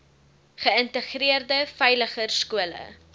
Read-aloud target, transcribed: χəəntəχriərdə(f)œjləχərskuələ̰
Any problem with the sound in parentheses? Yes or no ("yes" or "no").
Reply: no